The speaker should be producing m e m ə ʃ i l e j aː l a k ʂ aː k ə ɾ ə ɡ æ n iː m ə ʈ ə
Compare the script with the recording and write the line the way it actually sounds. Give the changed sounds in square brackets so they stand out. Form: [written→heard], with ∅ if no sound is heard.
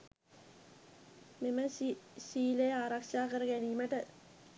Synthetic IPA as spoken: m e m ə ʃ [i→iː] l e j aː [l→ɾ] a k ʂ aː k ə ɾ ə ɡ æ n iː m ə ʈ ə